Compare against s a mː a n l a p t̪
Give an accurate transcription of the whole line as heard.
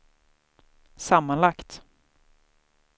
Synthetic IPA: s a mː a n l a k t̪